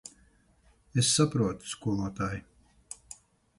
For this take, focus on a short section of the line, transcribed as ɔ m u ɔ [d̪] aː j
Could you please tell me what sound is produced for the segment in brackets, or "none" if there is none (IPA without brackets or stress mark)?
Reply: t̪